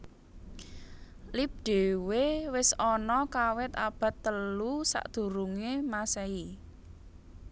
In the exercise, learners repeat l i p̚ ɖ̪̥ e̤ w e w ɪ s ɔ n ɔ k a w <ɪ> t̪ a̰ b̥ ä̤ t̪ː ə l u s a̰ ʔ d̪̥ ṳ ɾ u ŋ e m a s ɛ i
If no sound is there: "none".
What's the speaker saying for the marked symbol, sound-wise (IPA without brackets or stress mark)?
ɪ